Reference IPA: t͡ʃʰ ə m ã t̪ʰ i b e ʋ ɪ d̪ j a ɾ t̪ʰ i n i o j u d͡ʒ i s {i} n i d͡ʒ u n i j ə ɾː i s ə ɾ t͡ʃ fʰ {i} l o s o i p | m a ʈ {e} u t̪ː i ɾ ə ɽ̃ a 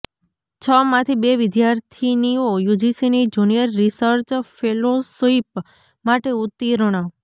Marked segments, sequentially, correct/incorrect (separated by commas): correct, incorrect, correct